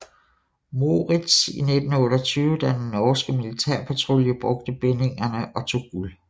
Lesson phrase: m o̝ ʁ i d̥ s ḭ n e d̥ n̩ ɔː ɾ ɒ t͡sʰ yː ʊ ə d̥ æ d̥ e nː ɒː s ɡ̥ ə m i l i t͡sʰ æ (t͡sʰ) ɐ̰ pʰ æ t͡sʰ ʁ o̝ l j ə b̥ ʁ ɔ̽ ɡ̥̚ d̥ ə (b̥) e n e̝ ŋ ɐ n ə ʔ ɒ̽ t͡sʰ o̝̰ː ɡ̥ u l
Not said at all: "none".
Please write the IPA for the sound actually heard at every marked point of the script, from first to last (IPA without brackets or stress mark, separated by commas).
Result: none, b̥